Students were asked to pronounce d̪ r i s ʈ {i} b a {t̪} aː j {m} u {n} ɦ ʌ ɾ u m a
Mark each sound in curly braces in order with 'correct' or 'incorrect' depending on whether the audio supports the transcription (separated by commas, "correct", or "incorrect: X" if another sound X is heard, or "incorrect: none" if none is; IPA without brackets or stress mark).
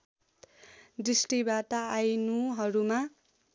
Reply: correct, correct, incorrect: n, incorrect: none